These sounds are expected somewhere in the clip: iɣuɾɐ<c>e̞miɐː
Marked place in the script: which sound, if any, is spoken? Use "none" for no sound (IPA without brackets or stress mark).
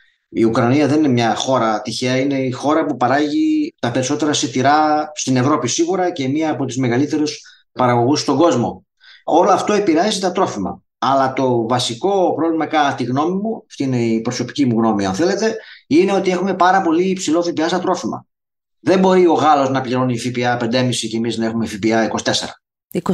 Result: c